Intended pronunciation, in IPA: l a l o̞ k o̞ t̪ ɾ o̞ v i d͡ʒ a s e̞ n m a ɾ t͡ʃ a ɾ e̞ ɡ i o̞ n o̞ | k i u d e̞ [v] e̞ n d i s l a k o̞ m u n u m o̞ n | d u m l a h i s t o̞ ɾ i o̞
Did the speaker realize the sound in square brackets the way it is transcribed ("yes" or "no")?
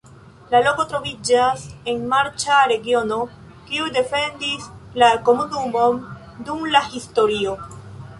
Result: no